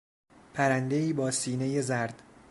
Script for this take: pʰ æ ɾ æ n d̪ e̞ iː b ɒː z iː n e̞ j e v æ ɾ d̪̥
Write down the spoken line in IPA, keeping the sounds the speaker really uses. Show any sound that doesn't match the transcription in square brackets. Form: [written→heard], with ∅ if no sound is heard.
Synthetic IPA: pʰ æ ɾ æ n d̪ e̞ iː b ɒː [z→s] iː n e̞ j e [v→z] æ ɾ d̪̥